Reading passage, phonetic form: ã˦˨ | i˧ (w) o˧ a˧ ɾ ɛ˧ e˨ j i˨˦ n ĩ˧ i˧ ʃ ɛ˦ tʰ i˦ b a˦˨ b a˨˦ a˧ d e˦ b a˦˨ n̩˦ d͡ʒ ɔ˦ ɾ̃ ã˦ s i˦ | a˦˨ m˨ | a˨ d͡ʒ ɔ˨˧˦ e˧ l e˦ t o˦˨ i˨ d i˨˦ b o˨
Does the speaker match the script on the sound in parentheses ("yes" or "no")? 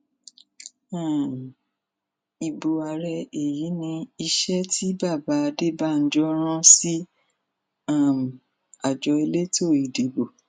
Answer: no